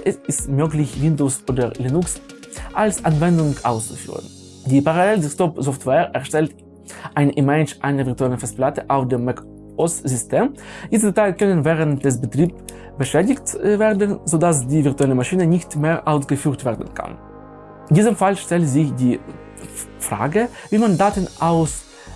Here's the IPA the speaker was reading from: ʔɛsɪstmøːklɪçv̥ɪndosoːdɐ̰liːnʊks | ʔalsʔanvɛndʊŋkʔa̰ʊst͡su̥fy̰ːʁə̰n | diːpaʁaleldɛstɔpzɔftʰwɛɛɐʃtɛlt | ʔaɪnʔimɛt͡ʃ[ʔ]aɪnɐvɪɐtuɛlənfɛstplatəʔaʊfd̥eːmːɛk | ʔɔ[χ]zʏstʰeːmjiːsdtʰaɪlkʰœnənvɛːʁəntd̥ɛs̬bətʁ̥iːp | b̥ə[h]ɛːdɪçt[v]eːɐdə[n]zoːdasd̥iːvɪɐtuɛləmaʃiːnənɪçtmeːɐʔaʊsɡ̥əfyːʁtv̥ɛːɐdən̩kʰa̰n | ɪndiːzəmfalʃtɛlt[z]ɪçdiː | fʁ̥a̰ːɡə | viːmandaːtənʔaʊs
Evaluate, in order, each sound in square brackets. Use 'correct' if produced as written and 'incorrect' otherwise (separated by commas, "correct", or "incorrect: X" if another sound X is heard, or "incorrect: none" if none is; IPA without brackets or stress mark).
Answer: correct, incorrect: s, incorrect: ʃ, correct, correct, correct